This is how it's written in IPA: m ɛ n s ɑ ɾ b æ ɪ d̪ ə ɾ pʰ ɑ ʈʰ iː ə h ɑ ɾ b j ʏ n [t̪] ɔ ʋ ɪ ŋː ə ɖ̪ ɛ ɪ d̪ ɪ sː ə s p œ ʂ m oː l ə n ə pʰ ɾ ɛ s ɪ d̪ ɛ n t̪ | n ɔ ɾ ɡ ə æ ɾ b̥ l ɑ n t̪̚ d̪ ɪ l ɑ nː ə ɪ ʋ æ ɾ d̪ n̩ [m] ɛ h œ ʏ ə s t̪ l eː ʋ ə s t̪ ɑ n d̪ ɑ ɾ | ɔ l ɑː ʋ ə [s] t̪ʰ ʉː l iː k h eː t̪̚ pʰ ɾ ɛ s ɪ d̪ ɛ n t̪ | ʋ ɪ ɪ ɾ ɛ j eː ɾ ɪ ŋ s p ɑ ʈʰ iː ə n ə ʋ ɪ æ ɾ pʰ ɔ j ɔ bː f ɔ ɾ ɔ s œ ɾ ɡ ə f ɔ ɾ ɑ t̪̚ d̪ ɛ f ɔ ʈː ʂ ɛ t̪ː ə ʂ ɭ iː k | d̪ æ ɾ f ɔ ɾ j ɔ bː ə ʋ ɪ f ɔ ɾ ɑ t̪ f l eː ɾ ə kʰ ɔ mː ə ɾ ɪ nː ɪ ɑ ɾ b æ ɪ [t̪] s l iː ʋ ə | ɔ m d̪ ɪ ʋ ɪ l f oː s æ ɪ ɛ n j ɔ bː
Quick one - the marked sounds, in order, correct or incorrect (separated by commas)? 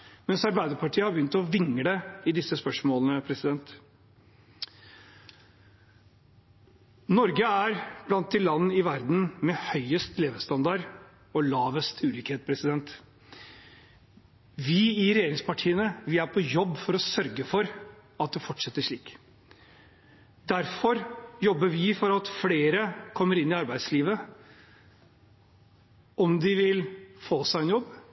correct, correct, correct, incorrect